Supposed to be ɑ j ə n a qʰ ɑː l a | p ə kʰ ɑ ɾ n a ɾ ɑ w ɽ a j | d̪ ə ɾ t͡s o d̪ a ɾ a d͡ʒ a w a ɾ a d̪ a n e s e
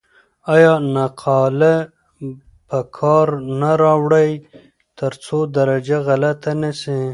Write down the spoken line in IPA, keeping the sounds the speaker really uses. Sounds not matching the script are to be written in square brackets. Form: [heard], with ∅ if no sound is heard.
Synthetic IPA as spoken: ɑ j [ɑ] n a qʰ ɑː l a | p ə kʰ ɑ ɾ n a ɾ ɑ w ɽ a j | [t̪] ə ɾ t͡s o d̪ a ɾ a d͡ʒ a [ɣ] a [l] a [t̪] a n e s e